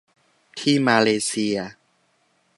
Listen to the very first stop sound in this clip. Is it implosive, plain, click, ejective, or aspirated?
aspirated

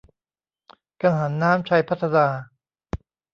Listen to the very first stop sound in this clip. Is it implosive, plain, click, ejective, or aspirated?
plain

